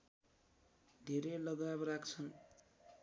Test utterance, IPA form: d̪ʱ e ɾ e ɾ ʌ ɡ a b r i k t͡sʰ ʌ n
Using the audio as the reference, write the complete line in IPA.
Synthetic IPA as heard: d̪ʱ e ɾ e l ʌ ɡ a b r a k t͡sʰ ʌ n